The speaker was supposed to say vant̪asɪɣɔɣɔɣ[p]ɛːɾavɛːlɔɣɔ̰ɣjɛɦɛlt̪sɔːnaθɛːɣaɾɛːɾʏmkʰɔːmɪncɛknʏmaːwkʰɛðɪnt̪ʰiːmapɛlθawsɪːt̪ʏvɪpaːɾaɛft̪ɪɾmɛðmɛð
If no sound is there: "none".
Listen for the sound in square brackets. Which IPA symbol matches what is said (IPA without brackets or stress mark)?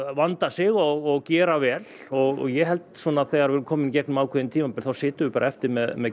c